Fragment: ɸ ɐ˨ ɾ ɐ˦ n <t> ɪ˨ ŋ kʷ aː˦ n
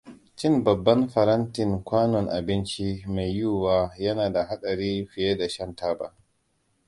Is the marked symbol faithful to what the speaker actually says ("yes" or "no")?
yes